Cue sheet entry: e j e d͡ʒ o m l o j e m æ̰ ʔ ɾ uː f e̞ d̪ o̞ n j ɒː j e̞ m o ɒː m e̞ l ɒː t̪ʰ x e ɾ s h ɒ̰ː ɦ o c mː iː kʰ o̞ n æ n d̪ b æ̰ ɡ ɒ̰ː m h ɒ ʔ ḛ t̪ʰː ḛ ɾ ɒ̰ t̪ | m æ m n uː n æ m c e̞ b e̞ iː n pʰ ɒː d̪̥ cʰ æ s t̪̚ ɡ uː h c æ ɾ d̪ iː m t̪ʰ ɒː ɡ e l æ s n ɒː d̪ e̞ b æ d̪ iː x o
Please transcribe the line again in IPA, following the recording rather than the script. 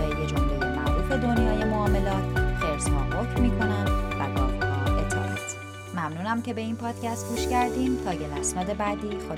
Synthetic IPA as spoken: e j e d͡ʒ o m l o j e m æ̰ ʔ ɾ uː f e̞ d̪ o̞ n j ɒː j e̞ m o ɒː m e̞ l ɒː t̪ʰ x e ɾ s h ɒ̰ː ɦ o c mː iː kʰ o̞ n æ n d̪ v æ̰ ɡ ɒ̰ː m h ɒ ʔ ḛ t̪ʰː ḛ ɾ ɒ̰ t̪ | m æ m n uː n æ m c e̞ b e̞ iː n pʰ ɒː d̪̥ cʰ æ s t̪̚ ɡ uː ʃ c æ ɾ d̪ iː m t̪ʰ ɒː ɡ e l æ s n ɒː d̪ e̞ b æ d̪ iː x o